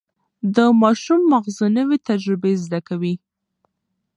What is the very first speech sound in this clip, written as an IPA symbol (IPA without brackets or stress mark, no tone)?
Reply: d̪